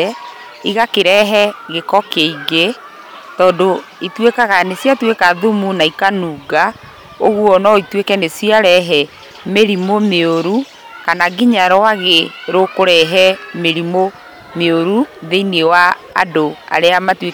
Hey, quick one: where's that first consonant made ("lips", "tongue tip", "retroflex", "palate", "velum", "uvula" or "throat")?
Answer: velum